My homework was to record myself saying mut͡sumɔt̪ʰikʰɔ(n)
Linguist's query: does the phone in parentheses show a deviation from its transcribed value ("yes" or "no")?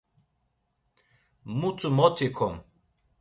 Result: yes